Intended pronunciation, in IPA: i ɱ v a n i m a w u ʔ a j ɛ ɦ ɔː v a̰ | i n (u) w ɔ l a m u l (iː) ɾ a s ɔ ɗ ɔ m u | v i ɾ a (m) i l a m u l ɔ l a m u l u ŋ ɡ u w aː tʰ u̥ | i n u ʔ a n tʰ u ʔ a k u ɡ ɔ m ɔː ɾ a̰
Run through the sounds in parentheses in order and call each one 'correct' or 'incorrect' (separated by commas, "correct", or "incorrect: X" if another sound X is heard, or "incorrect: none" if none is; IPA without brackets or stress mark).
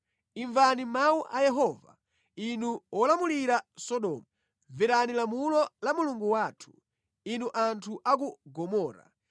correct, incorrect: i, incorrect: n